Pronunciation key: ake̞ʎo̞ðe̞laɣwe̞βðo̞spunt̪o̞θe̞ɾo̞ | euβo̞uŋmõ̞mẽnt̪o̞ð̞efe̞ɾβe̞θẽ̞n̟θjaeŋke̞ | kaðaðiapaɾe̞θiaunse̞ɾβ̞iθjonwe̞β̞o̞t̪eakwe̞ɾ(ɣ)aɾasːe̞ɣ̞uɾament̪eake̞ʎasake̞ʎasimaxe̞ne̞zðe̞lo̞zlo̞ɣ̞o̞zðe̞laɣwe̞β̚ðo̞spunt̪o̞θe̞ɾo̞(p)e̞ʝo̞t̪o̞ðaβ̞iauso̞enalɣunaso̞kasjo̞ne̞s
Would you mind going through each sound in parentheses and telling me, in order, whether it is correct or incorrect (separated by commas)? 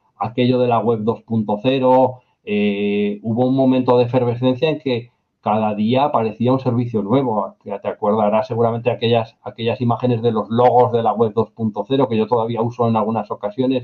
incorrect, incorrect